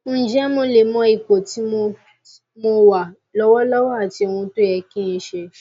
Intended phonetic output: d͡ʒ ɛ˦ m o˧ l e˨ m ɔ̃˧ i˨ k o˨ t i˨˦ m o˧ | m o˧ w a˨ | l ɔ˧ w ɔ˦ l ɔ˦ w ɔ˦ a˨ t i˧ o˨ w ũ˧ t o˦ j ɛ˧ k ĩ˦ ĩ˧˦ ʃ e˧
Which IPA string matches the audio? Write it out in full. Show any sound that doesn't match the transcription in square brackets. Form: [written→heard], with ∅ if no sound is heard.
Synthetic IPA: d͡ʒ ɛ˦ m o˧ l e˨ m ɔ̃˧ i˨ k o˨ t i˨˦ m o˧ | m o˧ w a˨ | l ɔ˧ w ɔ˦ l ɔ˦ w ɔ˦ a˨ t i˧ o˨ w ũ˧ t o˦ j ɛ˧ k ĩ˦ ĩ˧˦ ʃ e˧